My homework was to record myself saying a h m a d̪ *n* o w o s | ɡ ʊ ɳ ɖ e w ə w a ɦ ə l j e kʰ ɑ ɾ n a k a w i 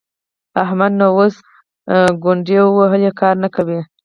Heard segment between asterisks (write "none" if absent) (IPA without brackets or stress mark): n